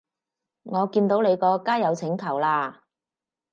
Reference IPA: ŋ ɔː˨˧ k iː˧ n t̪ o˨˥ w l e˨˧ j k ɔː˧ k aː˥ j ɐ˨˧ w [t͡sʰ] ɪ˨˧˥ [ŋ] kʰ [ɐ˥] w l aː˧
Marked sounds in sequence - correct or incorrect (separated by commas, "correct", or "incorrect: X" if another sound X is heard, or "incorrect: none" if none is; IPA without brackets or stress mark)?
correct, correct, incorrect: ɐ˨˩